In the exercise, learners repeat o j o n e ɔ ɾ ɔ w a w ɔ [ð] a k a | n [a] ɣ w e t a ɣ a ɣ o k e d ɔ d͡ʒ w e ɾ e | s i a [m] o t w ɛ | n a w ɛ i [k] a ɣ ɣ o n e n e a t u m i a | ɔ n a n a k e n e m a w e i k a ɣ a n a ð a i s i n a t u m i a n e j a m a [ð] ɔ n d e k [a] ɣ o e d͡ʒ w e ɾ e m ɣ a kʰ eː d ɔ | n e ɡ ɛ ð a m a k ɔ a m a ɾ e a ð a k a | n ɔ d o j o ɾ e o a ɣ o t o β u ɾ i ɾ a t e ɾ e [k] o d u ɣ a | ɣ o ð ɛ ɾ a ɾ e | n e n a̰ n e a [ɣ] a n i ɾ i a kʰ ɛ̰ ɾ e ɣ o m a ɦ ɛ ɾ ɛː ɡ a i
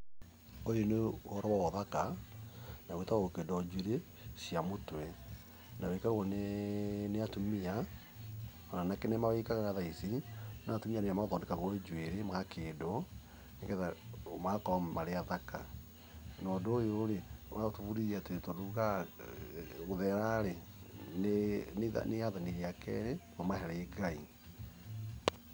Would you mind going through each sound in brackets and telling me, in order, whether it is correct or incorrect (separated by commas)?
correct, correct, correct, correct, correct, correct, incorrect, incorrect